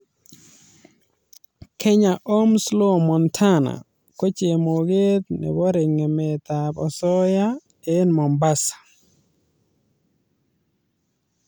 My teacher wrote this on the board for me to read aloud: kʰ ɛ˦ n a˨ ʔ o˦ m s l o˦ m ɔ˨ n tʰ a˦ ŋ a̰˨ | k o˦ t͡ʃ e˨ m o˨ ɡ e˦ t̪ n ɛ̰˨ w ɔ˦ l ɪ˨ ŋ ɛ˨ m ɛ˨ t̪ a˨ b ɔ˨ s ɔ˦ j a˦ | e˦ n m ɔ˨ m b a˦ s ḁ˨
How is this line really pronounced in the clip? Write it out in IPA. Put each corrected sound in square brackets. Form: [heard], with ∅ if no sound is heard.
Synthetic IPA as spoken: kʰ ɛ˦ [ɲ] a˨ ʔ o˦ m s l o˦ m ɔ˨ n tʰ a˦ [n] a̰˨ | k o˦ t͡ʃ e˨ m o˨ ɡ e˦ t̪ n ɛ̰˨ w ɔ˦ [ɾ] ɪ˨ ŋ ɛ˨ m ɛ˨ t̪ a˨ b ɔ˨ s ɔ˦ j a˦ | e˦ n m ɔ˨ m b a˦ s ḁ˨

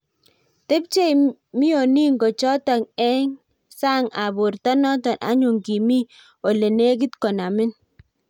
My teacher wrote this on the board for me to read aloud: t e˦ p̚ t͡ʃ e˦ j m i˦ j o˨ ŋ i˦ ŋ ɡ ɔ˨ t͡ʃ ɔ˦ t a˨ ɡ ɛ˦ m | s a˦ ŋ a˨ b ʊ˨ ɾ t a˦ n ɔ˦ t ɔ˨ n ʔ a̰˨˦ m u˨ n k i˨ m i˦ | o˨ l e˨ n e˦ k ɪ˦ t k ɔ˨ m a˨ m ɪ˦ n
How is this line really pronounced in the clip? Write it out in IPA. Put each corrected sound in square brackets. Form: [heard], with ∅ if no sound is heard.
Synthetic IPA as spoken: t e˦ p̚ t͡ʃ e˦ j m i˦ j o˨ [n] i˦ ŋ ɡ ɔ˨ t͡ʃ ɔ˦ t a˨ [ŋ] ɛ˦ [ŋ] | s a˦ ŋ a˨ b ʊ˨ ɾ t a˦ n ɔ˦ t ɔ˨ n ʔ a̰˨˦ [ɲ] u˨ [ŋ] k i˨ m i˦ | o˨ l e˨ n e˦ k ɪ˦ t k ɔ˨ [n] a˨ m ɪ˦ n

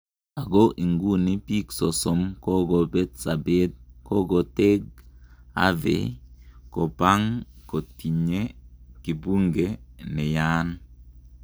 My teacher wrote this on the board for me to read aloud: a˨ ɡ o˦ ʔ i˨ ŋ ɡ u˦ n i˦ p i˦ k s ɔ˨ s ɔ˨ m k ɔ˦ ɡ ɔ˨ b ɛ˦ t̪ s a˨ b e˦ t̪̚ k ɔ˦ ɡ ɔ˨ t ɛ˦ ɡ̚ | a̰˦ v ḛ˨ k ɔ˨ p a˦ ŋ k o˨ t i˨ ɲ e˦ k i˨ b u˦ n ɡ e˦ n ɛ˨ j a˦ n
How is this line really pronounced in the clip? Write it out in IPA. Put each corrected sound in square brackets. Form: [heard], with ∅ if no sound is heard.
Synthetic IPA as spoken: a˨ ɡ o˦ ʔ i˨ ŋ ɡ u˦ n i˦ p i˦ k s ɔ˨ s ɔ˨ m k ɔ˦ ɡ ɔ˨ b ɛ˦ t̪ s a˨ b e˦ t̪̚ k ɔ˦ ɡ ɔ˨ t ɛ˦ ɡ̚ | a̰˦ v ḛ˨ k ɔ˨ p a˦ ŋ k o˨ t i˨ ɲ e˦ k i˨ b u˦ [ŋ] ɡ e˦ n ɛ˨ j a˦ n

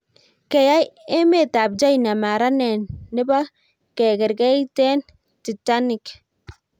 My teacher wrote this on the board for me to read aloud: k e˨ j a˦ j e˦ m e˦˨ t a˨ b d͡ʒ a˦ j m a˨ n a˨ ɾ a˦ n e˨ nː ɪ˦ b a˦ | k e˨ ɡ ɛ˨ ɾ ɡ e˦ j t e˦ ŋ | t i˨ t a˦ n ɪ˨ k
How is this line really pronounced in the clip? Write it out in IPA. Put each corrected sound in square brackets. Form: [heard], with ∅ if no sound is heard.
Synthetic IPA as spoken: k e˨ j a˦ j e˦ m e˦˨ t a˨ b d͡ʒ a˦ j [n] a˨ [m] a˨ ɾ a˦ n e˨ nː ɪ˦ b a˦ | k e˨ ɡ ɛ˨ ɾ ɡ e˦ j t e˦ [n] | t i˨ t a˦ n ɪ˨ k

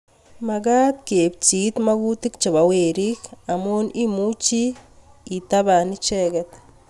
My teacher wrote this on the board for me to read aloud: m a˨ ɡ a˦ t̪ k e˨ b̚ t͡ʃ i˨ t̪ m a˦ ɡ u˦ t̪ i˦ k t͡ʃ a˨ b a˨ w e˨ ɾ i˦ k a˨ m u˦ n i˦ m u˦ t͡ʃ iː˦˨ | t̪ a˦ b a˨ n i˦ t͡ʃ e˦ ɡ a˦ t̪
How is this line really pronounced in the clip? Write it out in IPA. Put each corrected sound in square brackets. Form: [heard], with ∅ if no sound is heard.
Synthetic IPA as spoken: m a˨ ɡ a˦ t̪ k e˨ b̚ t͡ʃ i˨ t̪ m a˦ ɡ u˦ t̪ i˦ k t͡ʃ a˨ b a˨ w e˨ ɾ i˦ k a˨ m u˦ n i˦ m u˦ t͡ʃ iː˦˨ | t̪ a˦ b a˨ n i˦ t͡ʃ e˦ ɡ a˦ t̪

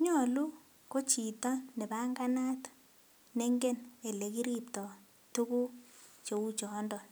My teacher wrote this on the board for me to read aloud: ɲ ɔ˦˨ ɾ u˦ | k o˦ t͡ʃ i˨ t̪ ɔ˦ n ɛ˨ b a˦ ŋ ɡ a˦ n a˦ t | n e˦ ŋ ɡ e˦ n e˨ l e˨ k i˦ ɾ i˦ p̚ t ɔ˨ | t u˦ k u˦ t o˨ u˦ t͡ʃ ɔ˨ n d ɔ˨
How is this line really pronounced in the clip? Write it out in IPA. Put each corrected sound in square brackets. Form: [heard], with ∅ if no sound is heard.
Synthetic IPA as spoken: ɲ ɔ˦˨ [l] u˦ | k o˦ t͡ʃ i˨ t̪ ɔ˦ n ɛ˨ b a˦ ŋ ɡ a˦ n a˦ t | n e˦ ŋ ɡ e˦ n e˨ l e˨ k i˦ ɾ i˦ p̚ t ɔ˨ | t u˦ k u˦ [t͡ʃ] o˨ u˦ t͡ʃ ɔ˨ n d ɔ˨

